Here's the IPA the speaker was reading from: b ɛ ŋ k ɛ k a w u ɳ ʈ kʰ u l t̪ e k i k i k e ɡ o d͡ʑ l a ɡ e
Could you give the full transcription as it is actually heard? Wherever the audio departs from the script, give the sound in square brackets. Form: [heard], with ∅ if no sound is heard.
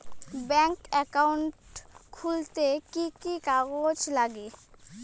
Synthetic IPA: b ɛ ŋ k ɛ k a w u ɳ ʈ kʰ u l t̪ e k i k i k [a] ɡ o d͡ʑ l a ɡ e